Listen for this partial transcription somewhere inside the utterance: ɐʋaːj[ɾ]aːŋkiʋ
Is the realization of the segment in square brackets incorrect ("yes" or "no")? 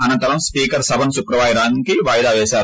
no